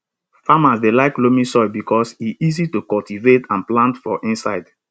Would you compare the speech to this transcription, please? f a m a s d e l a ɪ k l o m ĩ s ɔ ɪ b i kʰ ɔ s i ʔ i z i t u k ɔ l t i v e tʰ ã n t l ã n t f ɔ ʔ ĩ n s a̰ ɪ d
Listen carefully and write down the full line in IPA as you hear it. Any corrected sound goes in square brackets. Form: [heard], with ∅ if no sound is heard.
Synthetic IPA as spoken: f a m a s d e l a ɪ k l o m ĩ s ɔ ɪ b i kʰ ɔ s i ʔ i z i t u k ɔ l t i v e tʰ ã n [p] l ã n t f ɔ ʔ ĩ n s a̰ ɪ d